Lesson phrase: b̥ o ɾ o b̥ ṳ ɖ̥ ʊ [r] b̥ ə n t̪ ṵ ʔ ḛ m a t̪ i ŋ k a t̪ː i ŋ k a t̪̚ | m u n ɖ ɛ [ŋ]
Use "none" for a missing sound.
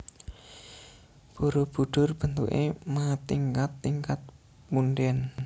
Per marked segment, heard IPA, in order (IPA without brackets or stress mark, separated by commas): r, n